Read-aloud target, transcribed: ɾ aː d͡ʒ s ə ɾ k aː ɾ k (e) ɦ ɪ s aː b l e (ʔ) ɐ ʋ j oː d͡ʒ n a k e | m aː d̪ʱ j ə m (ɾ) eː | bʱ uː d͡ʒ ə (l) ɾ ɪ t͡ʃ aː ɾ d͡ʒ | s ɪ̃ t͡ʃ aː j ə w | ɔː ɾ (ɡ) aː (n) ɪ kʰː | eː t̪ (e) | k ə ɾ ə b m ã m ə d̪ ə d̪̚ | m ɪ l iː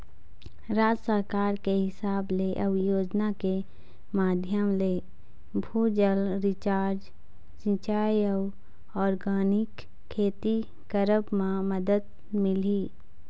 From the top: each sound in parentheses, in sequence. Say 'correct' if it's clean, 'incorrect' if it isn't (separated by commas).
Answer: correct, correct, incorrect, correct, correct, correct, incorrect